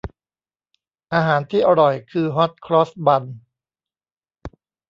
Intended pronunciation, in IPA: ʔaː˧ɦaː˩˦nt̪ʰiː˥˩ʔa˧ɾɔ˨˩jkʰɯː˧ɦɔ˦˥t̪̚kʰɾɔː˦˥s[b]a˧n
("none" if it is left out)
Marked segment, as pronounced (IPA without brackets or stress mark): b